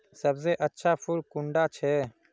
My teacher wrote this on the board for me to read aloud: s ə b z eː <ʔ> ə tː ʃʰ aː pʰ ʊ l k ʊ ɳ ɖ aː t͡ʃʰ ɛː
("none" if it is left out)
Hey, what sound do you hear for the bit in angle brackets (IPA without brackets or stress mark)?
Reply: ʔ